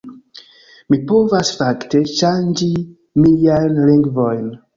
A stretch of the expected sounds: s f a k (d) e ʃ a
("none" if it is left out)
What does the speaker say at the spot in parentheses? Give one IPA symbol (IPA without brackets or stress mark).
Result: t